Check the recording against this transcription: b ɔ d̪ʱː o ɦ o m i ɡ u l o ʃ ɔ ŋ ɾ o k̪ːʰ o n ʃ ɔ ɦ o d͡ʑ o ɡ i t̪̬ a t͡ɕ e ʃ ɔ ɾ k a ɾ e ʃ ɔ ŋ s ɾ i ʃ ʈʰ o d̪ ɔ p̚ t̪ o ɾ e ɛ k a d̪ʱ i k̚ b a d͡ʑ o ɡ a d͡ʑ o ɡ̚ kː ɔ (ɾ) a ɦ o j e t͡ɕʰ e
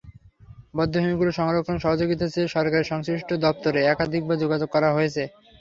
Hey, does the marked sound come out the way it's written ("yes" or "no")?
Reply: yes